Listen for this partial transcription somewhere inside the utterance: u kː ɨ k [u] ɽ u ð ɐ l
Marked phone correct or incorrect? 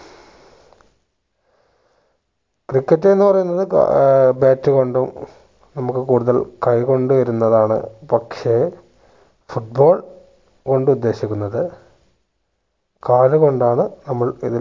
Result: incorrect